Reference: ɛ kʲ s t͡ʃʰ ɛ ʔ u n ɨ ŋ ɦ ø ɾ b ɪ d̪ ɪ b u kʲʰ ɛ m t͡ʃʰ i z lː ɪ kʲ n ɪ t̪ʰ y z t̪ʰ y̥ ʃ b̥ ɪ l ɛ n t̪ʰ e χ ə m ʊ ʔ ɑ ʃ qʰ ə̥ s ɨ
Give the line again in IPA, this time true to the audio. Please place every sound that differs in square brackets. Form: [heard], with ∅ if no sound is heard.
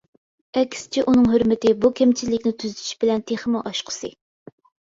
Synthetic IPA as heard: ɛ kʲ s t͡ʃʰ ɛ ʔ u n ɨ ŋ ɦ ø ɾ [m] ɪ [t̪] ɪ b u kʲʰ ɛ m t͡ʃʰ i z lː ɪ kʲ n ɪ t̪ʰ y z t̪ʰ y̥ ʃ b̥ ɪ l ɛ n t̪ʰ e χ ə m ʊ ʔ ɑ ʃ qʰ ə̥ s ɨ

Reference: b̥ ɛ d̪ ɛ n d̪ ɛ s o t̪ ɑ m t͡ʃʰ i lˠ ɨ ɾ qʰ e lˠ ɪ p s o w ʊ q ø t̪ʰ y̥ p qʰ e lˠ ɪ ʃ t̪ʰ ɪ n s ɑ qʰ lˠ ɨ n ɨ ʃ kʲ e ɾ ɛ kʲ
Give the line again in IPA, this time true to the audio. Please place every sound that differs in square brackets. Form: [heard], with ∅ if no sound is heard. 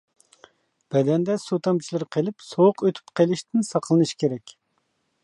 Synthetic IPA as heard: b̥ ɛ d̪ ɛ n d̪ ɛ s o t̪ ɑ m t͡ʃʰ i lˠ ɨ ɾ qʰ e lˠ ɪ p s o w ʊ q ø t̪ʰ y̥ p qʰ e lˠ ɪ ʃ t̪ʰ ɪ n s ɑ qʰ lˠ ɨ n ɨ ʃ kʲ e ɾ ɛ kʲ

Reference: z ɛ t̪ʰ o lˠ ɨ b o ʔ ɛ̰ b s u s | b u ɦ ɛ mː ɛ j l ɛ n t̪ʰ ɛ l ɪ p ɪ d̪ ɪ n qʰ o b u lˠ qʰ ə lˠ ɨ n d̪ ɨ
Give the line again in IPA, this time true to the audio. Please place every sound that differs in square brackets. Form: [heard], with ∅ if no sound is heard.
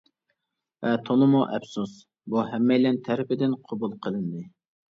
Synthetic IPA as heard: [v] ɛ t̪ʰ o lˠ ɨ [m] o ʔ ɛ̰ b s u s | b u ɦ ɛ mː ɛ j l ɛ n t̪ʰ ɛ [ɾ] ɪ p ɪ d̪ ɪ n qʰ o b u lˠ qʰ ə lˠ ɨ n d̪ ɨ

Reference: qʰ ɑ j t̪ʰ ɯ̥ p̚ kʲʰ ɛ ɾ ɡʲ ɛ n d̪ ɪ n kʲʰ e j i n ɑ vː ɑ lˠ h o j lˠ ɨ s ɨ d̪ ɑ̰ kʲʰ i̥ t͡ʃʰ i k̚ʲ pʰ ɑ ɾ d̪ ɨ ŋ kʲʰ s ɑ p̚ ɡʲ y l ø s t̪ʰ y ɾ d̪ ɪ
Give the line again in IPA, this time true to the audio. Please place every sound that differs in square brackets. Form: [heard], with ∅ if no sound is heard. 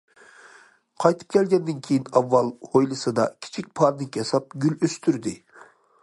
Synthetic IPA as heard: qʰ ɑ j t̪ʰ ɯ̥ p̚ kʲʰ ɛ [l] ɡʲ ɛ n d̪ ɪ n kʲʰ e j i n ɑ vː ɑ lˠ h o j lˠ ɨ s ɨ d̪ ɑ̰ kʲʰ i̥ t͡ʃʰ i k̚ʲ pʰ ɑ ɾ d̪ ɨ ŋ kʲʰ s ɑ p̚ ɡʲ y l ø s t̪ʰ y ɾ d̪ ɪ

